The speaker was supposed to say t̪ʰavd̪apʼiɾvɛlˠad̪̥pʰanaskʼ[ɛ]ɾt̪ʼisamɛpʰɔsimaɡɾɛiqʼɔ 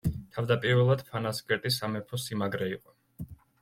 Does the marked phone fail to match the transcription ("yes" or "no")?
no